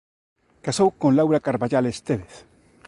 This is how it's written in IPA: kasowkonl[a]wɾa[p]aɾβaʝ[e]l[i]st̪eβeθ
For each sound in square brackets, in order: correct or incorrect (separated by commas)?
correct, incorrect, incorrect, incorrect